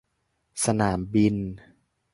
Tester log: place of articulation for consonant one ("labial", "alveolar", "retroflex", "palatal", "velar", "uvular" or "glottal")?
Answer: alveolar